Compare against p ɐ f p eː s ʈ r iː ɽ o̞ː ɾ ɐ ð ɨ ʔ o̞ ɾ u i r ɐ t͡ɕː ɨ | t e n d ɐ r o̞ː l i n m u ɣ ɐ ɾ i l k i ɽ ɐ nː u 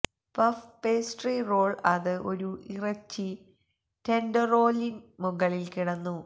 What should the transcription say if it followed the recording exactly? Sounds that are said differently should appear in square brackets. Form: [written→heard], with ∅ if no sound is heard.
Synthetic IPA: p ɐ f p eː s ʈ r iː [ɽ→r] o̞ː [ɾ→ɭ] ɐ ð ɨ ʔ o̞ ɾ u i r ɐ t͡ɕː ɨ | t e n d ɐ r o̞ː l i n m u ɣ ɐ [ɾ→ɭ] i l k i ɽ ɐ nː u